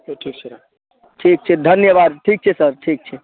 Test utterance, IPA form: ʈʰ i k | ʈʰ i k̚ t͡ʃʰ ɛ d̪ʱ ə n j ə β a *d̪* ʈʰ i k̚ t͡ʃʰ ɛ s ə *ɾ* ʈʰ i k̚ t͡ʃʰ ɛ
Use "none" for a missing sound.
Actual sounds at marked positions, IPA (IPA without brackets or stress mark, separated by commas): d̪, ɾ